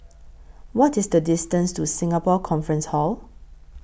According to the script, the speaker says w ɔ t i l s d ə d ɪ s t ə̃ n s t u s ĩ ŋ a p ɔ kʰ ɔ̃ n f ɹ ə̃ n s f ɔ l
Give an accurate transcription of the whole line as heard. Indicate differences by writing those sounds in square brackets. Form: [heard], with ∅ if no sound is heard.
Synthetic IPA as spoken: w ɔ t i [∅] s d ə d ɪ s t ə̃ n s t u s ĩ ŋ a p ɔ kʰ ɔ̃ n f ɹ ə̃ n s [h] ɔ l